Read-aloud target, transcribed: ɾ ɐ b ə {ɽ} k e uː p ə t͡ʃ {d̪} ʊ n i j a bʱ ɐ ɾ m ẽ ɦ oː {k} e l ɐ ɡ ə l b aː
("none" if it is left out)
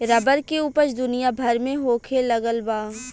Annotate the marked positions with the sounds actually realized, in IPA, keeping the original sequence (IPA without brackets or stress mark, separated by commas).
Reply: ɾ, d̪, kʰ